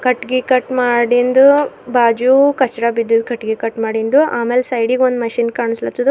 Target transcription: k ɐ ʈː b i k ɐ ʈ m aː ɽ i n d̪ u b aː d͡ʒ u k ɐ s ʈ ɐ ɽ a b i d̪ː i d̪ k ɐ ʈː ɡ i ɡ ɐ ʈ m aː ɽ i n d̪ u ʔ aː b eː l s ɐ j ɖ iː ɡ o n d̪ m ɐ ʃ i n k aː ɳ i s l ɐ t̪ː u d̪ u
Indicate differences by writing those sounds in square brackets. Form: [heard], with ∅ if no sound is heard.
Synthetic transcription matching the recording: k ɐ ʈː [ɡ] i k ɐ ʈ m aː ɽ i n d̪ u b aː d͡ʒ u k ɐ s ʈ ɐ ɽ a b i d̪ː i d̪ k ɐ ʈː ɡ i [k] ɐ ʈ m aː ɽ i n d̪ u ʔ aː [m] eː l s ɐ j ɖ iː ɡ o n d̪ m ɐ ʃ i n k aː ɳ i s l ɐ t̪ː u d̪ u